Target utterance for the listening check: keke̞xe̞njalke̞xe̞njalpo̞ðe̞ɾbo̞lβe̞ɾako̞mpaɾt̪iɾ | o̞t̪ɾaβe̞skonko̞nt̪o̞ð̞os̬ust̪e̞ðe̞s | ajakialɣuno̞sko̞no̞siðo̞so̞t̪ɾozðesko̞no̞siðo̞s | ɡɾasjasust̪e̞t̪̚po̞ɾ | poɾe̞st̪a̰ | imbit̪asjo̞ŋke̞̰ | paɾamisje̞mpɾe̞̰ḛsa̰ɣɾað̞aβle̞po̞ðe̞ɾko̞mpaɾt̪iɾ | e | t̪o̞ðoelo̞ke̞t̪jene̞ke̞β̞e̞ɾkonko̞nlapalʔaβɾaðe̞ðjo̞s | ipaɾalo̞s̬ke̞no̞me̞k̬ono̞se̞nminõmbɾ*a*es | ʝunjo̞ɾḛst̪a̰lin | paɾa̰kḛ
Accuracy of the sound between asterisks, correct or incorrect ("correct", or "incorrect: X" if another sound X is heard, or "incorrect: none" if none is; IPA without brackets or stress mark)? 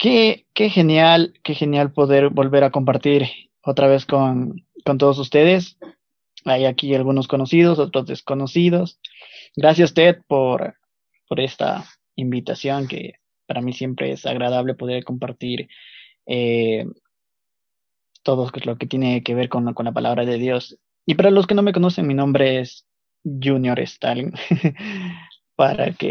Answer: incorrect: e